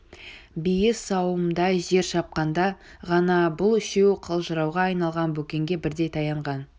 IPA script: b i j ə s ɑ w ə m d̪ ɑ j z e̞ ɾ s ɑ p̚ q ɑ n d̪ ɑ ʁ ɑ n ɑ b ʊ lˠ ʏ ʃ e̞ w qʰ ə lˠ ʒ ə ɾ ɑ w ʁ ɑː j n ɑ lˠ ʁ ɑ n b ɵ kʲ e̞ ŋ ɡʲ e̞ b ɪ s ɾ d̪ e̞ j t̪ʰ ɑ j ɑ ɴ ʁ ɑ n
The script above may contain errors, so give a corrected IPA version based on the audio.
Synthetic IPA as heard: b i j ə s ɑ w ə m d̪ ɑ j ʒ e̞ ɾ ʃ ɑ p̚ q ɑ n d̪ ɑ ʁ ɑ n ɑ b ʊ lˠ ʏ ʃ e̞ w qʰ ə lˠ ʒ ə ɾ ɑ w ʁ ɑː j n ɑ lˠ ʁ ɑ n b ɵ kʲ e̞ ŋ ɡʲ e̞ b ɪ ɾ d̪ e̞ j t̪ʰ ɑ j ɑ ɴ ʁ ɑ n